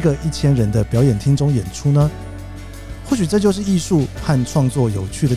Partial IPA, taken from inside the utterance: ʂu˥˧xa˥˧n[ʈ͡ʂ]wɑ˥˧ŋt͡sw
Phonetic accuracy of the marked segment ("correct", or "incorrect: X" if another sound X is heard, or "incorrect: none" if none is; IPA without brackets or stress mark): incorrect: ʈ͡ʂʰ